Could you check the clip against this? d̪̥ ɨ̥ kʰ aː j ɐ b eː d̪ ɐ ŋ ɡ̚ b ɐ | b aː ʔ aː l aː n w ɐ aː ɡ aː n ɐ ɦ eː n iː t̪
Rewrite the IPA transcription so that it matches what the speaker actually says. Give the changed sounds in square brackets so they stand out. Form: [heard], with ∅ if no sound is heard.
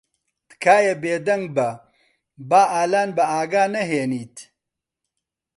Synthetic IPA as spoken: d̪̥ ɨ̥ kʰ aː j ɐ b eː d̪ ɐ ŋ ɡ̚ b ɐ | b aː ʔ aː l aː n [b] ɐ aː ɡ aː n ɐ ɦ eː n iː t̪